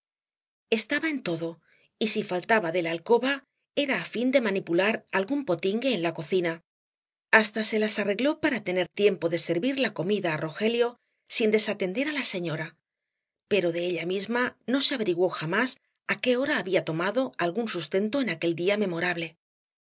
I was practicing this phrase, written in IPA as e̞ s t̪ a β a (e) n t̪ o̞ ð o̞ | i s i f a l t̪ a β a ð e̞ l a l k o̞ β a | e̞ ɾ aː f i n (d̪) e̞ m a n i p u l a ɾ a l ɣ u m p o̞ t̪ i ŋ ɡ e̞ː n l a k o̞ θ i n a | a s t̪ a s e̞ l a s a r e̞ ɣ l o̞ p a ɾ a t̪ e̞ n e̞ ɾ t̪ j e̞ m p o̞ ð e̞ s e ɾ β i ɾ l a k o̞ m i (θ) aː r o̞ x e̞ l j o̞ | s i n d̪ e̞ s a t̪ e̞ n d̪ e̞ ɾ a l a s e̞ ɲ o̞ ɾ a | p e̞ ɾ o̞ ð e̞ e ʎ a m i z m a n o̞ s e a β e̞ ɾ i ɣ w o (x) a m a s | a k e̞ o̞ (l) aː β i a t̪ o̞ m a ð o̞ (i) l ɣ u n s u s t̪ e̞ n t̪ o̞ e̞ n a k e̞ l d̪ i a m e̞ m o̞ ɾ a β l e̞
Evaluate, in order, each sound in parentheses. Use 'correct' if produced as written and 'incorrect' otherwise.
correct, correct, incorrect: ð, correct, incorrect: ɾ, incorrect: a

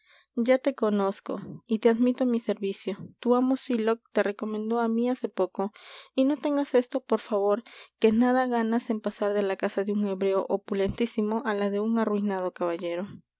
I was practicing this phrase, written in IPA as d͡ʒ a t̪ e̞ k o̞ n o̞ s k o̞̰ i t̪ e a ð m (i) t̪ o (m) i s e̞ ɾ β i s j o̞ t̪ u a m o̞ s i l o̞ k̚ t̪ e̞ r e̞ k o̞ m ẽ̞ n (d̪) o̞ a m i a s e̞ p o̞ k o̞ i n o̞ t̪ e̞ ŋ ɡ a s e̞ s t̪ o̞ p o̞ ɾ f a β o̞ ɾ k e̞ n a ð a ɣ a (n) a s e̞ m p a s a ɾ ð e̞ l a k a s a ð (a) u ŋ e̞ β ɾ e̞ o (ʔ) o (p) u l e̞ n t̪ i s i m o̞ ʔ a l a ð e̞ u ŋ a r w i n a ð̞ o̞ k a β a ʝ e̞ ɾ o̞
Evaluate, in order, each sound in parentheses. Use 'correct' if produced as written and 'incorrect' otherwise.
correct, correct, correct, correct, incorrect: e, correct, correct

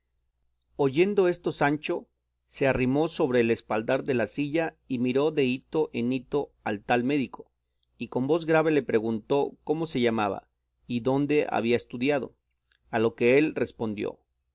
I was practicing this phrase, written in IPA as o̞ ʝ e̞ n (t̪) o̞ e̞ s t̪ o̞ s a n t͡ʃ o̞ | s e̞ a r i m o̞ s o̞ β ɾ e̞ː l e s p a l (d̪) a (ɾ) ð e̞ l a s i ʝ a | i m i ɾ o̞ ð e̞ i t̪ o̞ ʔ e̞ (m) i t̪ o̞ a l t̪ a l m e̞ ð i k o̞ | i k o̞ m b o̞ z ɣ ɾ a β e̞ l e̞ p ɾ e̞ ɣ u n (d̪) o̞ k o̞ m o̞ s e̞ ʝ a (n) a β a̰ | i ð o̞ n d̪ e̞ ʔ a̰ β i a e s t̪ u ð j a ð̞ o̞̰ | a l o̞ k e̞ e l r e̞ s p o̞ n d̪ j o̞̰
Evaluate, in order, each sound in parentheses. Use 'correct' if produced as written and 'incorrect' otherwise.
incorrect: d̪, correct, correct, incorrect: n, incorrect: t̪, incorrect: m

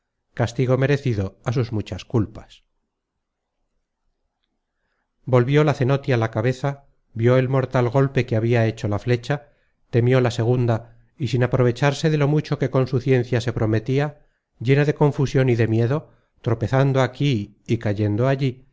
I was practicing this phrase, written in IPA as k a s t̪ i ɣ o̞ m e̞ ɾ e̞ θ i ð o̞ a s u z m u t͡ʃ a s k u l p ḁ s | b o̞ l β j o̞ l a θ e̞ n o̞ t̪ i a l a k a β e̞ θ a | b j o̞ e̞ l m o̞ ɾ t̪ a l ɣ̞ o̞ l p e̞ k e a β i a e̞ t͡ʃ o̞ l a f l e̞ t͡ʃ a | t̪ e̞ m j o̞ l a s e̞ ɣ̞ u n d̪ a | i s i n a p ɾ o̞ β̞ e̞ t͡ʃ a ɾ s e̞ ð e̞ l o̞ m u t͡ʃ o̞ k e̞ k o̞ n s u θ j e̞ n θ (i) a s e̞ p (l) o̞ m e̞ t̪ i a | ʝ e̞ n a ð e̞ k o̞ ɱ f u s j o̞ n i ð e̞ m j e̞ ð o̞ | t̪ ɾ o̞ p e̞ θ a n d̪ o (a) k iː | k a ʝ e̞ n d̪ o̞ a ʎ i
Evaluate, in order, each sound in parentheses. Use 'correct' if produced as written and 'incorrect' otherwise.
incorrect: j, incorrect: ɾ, correct

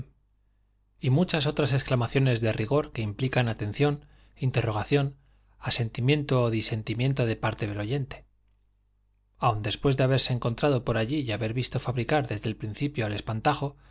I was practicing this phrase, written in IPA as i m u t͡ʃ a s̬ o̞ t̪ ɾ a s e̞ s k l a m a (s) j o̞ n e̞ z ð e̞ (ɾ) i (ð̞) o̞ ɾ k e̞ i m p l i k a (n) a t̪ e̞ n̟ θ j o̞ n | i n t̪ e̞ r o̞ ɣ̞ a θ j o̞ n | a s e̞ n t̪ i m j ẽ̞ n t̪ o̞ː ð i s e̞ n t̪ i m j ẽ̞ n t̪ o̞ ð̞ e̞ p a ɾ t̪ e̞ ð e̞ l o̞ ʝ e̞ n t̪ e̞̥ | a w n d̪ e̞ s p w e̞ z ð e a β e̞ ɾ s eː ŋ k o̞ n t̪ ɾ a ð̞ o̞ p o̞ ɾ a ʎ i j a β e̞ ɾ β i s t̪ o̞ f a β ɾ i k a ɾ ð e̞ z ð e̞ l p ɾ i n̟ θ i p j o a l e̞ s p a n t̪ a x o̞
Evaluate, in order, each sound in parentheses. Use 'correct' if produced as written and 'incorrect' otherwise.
incorrect: θ, incorrect: r, incorrect: ɣ̞, correct

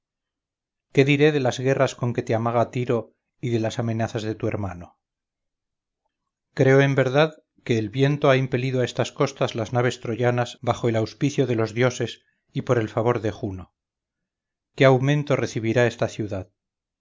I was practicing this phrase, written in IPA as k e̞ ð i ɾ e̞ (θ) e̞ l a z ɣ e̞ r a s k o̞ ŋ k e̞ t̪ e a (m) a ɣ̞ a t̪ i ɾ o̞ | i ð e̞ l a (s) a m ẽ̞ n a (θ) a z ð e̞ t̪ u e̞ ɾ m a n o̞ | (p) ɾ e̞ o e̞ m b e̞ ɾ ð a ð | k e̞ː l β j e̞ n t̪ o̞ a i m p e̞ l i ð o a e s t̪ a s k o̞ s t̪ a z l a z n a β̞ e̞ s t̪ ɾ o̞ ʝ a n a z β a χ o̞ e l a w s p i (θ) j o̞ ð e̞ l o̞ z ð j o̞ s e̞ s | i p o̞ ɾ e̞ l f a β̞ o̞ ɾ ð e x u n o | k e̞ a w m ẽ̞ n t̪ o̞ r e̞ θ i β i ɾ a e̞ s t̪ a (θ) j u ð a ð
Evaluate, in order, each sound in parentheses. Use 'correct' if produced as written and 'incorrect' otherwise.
incorrect: ð, correct, correct, correct, incorrect: k, correct, correct

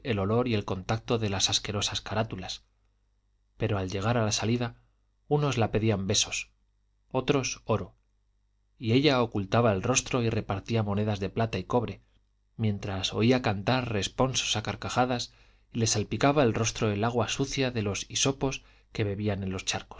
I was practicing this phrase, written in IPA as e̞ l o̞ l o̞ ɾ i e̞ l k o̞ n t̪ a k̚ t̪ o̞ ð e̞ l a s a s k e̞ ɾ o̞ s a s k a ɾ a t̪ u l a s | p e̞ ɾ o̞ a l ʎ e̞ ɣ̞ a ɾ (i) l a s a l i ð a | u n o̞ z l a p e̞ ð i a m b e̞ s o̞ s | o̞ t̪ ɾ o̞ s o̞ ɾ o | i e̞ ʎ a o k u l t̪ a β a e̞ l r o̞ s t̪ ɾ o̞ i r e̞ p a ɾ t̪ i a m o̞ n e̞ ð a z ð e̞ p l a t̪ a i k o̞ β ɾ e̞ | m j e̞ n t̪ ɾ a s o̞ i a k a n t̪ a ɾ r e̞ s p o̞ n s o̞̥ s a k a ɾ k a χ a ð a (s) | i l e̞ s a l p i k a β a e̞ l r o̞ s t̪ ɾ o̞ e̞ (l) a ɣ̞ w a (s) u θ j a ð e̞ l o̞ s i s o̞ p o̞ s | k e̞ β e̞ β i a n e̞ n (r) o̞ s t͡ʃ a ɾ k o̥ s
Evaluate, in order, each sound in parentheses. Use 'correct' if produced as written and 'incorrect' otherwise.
incorrect: a, correct, correct, correct, incorrect: l

